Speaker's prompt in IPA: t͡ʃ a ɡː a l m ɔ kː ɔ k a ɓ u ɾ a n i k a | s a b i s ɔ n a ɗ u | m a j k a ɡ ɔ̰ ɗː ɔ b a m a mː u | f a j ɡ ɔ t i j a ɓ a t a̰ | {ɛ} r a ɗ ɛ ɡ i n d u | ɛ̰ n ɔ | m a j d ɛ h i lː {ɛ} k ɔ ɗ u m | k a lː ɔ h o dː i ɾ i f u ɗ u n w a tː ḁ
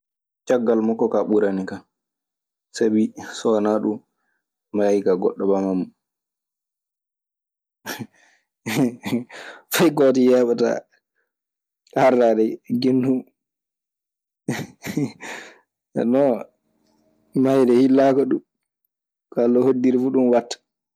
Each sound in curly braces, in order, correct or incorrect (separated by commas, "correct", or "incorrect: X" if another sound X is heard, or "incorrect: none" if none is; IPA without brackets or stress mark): incorrect: a, incorrect: a